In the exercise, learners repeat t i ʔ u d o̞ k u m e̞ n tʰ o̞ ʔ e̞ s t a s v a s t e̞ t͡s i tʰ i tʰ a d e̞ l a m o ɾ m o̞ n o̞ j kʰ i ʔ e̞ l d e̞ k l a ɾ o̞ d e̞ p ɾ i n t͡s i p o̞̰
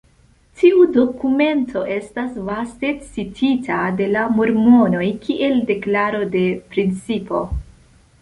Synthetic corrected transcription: t i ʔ u d o̞ k u m e̞ n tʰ o̞ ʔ e̞ s t a s v a s t e̞ t͡s i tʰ i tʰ a d e̞ l a m o ɾ m o̞ n o̞ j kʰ i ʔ e̞ l d e̞ k l a ɾ o̞ d e̞ p ɾ i n t͡s i p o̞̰